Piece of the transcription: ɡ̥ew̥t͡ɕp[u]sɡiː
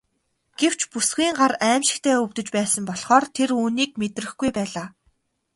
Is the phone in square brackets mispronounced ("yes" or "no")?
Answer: no